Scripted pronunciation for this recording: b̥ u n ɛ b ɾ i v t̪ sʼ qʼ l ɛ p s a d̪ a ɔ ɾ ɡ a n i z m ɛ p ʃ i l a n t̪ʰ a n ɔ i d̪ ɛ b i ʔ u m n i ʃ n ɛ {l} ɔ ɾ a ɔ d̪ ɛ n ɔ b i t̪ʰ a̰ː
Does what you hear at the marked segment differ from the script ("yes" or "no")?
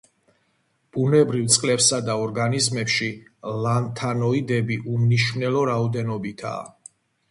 no